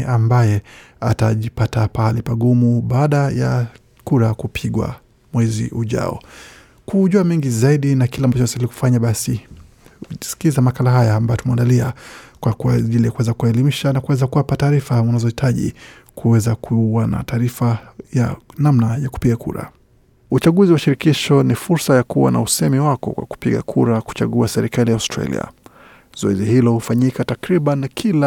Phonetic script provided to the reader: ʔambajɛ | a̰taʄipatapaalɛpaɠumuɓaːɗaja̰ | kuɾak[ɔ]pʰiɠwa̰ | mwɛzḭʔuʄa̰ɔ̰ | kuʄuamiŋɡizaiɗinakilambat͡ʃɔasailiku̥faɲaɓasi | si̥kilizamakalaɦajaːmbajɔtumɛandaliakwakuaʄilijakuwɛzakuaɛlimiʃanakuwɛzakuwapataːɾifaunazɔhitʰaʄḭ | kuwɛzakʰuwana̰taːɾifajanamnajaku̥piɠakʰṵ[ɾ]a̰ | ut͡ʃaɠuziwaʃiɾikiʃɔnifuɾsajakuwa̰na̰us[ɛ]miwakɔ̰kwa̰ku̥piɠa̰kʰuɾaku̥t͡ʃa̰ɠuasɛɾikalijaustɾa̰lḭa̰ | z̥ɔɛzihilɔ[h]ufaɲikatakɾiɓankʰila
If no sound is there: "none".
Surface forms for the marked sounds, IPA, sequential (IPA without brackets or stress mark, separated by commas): u, ɾ, ɛ, h